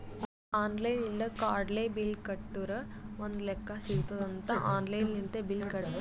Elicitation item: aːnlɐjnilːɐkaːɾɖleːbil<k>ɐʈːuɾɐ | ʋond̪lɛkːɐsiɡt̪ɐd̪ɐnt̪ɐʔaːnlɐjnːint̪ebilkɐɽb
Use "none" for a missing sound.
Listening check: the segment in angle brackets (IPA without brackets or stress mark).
k